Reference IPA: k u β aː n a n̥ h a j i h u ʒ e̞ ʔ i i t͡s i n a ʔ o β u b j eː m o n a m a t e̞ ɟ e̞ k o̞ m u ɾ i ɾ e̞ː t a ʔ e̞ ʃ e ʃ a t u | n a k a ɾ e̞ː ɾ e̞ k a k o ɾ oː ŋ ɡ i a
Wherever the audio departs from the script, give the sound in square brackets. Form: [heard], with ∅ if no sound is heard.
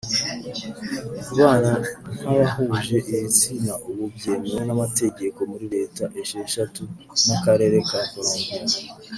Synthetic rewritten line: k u β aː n a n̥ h a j [a] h u ʒ e̞ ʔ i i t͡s i n a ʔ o β u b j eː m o n a m a t e̞ ɟ e̞ k o̞ m u ɾ i ɾ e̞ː t a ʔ e̞ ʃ e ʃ a t u | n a k a ɾ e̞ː ɾ e̞ k a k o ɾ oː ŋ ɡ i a